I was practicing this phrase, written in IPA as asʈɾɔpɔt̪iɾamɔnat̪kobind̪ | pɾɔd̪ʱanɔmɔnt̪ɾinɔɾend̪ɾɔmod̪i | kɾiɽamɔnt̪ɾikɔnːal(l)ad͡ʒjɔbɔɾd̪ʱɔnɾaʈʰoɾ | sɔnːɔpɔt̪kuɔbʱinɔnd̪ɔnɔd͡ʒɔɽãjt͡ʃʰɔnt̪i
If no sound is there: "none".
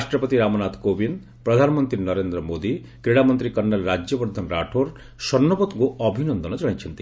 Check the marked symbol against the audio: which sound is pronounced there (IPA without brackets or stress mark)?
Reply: ɾ